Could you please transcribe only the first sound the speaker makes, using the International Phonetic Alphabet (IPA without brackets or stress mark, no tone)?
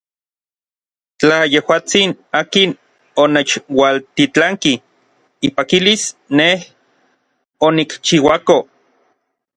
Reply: t͡ɬ